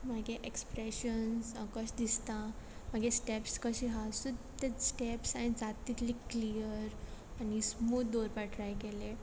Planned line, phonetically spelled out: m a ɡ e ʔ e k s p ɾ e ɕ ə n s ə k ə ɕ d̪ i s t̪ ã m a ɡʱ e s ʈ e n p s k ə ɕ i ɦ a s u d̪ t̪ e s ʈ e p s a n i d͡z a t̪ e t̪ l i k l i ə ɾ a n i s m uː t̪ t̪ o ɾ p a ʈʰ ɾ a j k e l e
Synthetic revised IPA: m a ɡ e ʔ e k s p ɾ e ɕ ə n s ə k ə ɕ d̪ i s t̪ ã m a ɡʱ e s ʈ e p s k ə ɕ i ɦ a s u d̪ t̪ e s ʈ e p s a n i d͡z a t̪ i t̪ l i k l i ə ɾ a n i s m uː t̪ d̪ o ɾ p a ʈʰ ɾ a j k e l e

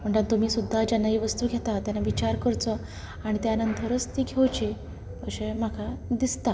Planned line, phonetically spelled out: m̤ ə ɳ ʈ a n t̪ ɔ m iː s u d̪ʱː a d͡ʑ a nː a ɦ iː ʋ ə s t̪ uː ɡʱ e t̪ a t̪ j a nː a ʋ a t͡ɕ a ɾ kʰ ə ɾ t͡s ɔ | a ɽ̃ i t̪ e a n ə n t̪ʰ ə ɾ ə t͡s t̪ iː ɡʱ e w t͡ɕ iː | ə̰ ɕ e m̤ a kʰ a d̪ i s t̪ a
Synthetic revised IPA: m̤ ə ɳ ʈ a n t̪ u m iː s u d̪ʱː a d͡ʑ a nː a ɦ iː ʋ ə s t̪ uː ɡʱ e t̪ a t̪ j a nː a ʋ i t͡ɕ a ɾ k ə ɾ t͡s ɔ | a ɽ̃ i t̪ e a n ə n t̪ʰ ə ɾ ə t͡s t̪ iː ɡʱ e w t͡ɕ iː | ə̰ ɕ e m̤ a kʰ a d̪ i s t̪ a

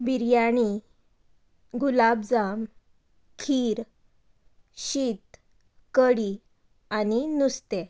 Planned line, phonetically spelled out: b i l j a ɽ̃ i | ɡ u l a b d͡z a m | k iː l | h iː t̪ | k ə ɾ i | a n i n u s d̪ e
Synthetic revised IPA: b i ɾ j a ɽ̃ i | ɡ u l a b d͡z a m | kʰ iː ɾ | ɕ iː t̪ | k ə ɽ i | a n i n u s t̪ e

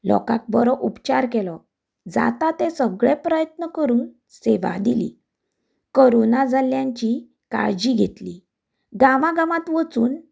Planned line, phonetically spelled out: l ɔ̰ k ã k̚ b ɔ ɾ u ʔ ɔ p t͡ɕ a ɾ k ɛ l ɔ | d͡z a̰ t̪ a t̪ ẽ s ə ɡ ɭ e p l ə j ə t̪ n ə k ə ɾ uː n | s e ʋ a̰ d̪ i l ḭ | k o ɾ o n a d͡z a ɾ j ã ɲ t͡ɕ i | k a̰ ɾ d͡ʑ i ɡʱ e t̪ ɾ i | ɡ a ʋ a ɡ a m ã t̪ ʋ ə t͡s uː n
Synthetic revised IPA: l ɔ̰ k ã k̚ b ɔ ɾ ɔ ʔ u p t͡ɕ a ɾ k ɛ l ɔ | d͡z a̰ t̪ a t̪ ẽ s ə ɡ ɭ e p ɾ ə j ə t̪ n ə k ə ɾ uː n | s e ʋ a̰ d̪ i l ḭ | k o ɾ o n a d͡z a l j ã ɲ t͡ɕ i | k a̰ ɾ d͡ʑ i ɡʱ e t̪ l i | ɡ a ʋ a ɡ a m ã t̪ ʋ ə t͡s uː n

